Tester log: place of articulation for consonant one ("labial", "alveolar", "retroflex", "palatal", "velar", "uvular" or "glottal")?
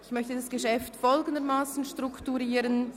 palatal